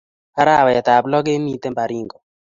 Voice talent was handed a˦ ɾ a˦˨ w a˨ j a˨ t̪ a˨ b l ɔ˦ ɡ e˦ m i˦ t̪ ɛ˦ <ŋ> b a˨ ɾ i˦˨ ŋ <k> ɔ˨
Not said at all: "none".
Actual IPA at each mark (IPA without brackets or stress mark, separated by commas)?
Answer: m, ɡ